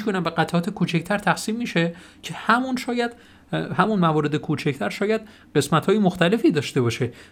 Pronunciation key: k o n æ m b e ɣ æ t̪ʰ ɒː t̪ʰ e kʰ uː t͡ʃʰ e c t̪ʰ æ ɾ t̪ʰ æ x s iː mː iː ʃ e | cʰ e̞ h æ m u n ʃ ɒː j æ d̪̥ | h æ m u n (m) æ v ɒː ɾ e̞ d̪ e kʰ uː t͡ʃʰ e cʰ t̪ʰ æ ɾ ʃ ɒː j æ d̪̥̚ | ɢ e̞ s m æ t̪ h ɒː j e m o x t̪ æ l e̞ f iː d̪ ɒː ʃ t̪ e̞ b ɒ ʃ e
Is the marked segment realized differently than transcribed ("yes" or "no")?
no